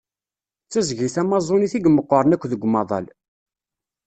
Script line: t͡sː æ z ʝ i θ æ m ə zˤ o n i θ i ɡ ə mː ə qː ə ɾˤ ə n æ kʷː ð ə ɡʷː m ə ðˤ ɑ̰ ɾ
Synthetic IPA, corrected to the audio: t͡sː æ z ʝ i θ æ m ɑ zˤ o n i θ i ɡ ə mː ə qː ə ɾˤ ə n æ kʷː ð ə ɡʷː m ɑ ðˤ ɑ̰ l